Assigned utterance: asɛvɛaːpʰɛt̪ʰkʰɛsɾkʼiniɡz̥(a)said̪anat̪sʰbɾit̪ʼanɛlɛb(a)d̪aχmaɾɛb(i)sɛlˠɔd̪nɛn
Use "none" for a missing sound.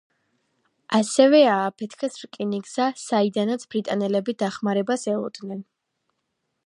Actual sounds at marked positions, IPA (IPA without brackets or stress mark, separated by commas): a, i, a